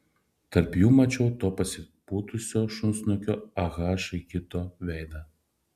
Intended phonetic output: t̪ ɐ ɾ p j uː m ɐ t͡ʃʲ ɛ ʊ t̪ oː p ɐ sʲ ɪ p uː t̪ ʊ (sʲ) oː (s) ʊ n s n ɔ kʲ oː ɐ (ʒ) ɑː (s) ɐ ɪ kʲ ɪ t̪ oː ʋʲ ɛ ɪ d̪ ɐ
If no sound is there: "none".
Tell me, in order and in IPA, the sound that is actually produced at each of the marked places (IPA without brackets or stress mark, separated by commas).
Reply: sʲ, ʃ, ɣ, ʃ